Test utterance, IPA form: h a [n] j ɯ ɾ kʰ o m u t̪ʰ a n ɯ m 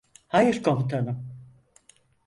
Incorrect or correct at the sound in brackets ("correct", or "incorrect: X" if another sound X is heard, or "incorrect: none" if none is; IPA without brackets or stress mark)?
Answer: incorrect: none